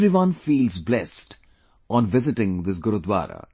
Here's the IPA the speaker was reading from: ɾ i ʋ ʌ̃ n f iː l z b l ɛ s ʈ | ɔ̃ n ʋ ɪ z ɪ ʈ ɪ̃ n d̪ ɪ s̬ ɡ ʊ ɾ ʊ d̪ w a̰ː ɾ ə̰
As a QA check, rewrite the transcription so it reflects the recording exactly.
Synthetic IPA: ɾ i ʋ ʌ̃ n f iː l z b l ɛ s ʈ | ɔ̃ n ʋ ɪ z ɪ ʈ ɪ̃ ŋ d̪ ɪ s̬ ɡ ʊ ɾ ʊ d̪ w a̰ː ɾ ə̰